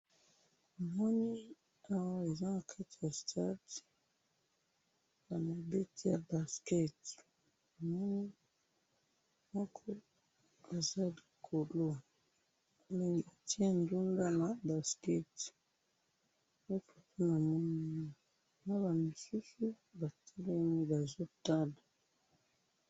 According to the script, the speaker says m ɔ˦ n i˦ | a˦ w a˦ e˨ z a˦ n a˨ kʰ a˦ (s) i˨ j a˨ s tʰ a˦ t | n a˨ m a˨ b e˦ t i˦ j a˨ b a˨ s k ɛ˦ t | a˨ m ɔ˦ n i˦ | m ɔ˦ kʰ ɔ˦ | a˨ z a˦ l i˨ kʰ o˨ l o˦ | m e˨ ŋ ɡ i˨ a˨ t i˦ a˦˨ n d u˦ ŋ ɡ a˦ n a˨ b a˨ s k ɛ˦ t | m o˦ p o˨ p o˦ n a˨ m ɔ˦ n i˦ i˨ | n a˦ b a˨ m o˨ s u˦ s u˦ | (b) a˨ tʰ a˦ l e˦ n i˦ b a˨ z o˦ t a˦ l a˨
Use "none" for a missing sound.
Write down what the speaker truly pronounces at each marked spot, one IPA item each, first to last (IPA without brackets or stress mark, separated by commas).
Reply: t, b